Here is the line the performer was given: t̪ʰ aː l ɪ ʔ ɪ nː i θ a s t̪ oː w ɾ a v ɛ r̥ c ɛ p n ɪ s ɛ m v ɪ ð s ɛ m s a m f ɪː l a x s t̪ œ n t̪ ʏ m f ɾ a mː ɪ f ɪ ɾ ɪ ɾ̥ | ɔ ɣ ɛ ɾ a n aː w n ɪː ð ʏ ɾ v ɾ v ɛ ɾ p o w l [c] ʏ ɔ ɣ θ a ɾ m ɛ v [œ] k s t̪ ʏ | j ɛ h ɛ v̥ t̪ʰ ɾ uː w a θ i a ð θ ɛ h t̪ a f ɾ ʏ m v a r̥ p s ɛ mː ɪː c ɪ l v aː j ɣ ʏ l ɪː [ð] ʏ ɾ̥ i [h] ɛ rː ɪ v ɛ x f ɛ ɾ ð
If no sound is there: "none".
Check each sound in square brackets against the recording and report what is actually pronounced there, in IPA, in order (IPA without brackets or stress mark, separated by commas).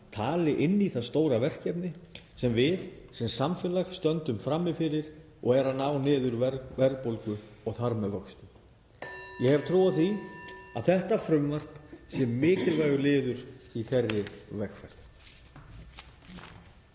k, œ, ð, θ